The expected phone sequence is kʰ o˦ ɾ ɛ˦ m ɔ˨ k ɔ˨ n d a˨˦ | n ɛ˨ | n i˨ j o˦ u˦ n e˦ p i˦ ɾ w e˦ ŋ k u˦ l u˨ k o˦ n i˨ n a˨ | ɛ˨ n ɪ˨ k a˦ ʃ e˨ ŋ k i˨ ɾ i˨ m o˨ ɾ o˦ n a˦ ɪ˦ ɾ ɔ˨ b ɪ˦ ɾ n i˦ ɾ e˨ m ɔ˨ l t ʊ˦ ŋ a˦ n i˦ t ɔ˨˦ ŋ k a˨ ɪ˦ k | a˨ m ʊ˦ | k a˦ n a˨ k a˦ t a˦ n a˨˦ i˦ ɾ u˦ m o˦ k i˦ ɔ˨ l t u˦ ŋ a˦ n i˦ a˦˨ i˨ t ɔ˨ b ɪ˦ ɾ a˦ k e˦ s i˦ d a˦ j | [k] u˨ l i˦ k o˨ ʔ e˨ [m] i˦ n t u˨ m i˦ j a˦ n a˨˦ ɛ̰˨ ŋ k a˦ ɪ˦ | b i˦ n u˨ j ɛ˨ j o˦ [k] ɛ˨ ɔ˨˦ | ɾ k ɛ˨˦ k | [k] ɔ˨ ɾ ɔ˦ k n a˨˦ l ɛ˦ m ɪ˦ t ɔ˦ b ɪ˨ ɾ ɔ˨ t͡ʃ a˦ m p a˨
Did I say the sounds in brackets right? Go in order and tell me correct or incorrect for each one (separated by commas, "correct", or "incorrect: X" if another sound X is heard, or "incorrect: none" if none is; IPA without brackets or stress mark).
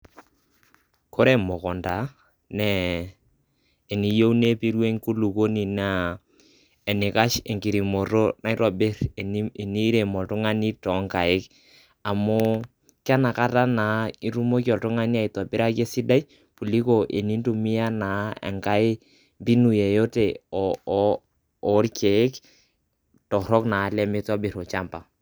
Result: incorrect: p, incorrect: n, incorrect: t, incorrect: t